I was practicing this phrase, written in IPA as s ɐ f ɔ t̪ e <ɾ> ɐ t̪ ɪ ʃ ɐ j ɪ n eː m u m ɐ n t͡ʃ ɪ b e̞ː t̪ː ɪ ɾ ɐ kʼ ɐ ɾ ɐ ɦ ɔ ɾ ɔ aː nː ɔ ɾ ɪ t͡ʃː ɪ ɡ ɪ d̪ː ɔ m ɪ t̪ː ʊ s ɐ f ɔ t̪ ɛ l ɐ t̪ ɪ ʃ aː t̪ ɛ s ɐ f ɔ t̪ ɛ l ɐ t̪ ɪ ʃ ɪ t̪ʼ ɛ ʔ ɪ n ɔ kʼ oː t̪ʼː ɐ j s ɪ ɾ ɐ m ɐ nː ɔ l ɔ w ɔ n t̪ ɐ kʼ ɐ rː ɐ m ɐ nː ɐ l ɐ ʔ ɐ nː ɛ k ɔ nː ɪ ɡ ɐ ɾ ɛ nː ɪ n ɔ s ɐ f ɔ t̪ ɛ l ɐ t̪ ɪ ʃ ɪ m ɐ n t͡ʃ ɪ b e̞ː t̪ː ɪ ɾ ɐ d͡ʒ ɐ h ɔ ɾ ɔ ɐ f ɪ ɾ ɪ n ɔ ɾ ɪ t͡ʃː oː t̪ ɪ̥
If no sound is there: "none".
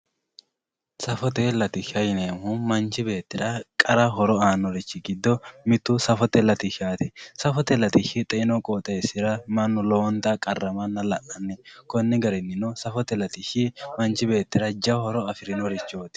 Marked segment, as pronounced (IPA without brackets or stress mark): l